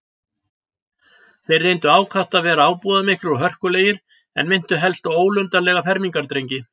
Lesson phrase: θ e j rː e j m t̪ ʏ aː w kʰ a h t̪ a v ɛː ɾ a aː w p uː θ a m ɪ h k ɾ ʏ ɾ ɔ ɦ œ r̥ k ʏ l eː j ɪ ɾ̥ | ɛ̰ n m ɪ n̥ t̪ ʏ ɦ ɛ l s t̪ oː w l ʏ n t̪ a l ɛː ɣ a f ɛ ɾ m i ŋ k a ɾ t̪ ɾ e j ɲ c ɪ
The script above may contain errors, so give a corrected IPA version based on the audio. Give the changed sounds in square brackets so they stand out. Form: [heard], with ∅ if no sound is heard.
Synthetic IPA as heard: θ e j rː e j [n] t̪ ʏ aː w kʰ a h t̪ a v ɛː ɾ a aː w p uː [ð] a m ɪ h k ɾ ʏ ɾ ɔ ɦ œ r̥ k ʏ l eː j ɪ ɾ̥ | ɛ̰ n m ɪ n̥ t̪ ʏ ɦ ɛ l s t̪ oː w l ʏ n t̪ a l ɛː ɣ a f ɛ ɾ m i ŋ k a ɾ t̪ ɾ e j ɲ c ɪ